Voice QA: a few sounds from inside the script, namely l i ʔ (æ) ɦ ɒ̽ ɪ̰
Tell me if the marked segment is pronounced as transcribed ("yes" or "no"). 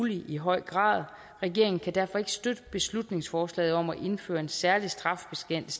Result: no